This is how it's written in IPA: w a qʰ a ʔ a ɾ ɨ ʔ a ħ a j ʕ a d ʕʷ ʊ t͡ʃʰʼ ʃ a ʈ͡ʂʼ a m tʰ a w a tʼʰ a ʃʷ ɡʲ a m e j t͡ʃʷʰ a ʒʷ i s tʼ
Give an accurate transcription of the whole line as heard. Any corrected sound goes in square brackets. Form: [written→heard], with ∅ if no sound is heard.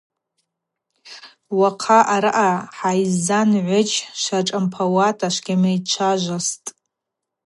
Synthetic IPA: w a qʰ a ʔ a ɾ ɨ ʔ a ħ a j [ʕ→z] a [d→n] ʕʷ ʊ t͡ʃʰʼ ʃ a ʈ͡ʂʼ a m [tʰ→pʰ] a w a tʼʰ a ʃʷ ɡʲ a m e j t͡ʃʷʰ a ʒʷ [i→a] s tʼ